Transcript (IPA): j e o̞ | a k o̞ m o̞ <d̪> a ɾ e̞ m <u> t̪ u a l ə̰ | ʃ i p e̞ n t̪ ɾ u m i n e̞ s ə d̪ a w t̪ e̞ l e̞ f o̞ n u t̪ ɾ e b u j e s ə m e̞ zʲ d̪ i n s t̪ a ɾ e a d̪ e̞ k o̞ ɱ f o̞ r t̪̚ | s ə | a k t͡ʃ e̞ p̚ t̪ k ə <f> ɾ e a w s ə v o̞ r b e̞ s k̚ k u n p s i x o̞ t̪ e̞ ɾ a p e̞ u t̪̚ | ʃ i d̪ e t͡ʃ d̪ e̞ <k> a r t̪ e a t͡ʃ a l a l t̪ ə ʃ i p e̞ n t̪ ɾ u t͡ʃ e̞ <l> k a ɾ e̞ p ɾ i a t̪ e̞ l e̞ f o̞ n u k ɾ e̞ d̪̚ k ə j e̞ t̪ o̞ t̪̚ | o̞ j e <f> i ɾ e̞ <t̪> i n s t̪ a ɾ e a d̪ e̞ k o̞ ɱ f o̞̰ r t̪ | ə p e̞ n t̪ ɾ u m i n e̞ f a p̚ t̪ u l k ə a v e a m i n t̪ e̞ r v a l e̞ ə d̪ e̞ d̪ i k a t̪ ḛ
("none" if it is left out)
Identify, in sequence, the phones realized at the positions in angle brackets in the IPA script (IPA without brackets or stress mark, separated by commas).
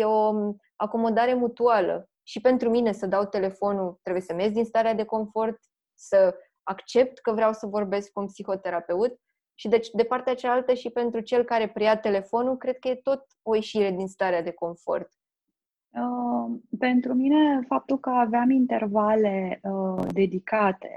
d̪, u, v, p, l, ʃ, d̪